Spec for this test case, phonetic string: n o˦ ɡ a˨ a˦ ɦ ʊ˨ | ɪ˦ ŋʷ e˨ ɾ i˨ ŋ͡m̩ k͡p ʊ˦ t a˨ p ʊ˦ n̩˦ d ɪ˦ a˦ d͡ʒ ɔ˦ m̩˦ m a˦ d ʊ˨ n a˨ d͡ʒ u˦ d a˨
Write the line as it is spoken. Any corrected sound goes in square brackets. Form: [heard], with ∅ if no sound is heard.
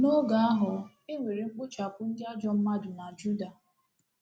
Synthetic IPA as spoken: n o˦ ɡ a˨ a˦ ɦ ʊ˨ | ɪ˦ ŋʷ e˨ ɾ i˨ ŋ͡m̩ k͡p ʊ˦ [t͡ʃ] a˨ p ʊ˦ n̩˦ d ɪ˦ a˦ d͡ʒ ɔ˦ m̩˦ m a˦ d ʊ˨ n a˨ d͡ʒ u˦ d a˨